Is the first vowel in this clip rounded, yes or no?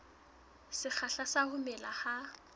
no